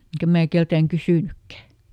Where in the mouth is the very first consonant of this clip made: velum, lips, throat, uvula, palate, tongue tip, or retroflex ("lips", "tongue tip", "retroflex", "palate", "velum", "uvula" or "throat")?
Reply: velum